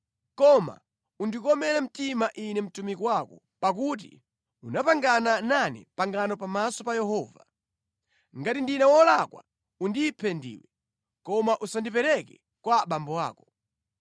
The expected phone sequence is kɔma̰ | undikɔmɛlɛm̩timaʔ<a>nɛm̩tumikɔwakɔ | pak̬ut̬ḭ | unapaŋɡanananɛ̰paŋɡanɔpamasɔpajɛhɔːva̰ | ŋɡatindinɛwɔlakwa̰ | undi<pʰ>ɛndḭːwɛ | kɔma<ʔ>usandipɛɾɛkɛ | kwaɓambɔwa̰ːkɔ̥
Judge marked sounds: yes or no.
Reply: no, yes, yes

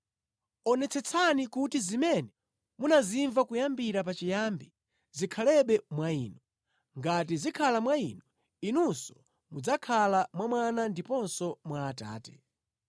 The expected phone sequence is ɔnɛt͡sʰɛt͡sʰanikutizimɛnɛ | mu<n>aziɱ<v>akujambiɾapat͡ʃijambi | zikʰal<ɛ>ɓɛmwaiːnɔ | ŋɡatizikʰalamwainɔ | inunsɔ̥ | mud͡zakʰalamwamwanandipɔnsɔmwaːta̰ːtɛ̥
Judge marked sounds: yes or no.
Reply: yes, yes, yes

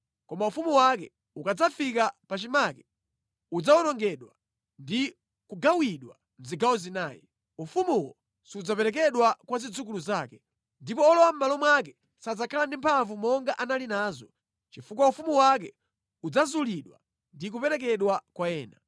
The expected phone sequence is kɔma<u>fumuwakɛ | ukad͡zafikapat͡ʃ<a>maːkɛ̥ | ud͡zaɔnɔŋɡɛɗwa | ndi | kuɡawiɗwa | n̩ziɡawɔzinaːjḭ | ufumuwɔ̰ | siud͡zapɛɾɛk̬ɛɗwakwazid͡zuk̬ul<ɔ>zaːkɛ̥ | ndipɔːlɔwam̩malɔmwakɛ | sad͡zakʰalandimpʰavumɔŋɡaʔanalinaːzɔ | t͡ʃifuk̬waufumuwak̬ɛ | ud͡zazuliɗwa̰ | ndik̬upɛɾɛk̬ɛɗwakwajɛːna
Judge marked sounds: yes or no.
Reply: yes, no, no

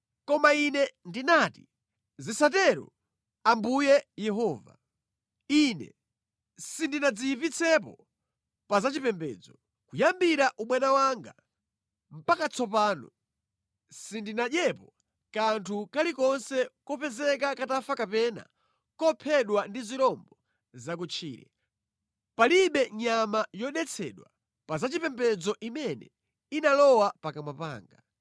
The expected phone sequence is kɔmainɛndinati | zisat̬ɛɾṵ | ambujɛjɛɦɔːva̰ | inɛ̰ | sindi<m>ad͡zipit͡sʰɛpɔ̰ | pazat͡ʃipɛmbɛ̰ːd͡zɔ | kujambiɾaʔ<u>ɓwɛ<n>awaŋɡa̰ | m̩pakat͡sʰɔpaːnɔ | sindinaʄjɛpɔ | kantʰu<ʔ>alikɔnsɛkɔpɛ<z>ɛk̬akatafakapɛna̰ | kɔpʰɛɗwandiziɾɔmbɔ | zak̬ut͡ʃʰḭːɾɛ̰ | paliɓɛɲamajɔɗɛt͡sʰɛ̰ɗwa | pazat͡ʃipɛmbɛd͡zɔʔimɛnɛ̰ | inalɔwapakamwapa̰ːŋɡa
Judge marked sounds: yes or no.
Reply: no, yes, yes, no, yes

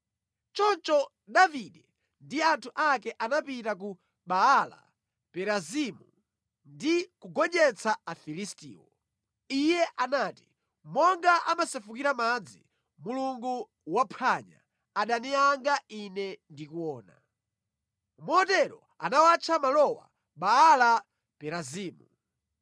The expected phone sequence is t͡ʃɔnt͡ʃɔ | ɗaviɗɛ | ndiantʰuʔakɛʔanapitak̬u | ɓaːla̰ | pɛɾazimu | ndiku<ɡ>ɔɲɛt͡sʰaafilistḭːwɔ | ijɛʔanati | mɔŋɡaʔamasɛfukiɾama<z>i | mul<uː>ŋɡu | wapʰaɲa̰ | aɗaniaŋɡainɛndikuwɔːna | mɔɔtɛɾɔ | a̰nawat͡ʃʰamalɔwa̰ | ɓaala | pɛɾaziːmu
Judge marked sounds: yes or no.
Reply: yes, no, no

